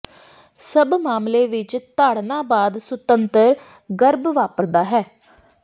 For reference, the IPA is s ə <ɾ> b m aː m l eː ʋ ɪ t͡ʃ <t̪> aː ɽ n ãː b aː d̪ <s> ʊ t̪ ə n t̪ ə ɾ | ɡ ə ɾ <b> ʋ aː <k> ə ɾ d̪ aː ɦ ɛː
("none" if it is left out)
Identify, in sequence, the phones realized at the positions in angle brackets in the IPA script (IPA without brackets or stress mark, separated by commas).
none, t̪, s, b, p